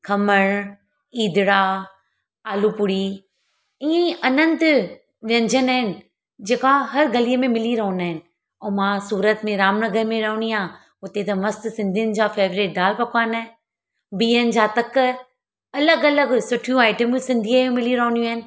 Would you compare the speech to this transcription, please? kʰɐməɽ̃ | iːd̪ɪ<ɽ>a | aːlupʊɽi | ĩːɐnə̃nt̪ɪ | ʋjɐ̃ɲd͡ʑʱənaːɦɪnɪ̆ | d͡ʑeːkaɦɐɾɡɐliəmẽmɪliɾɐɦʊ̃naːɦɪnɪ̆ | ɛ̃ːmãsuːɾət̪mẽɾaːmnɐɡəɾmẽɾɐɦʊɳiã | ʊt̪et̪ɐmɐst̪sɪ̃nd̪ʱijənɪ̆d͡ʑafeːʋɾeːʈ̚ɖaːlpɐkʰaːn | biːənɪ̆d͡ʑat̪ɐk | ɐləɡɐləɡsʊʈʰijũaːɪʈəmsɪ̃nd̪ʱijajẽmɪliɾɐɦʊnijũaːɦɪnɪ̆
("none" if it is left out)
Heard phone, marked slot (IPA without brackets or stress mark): ɽ